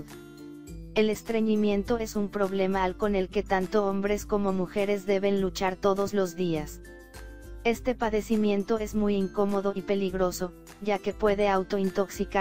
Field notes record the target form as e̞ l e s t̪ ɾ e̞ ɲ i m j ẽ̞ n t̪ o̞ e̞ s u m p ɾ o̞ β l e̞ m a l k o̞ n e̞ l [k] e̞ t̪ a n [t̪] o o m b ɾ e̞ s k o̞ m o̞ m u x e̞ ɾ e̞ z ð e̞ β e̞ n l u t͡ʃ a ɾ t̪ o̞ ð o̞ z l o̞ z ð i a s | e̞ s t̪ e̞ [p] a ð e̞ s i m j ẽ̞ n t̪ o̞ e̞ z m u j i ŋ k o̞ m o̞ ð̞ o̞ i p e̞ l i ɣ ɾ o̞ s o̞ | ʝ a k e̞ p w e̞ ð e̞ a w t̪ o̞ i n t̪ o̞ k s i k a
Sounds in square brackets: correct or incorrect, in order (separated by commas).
correct, correct, correct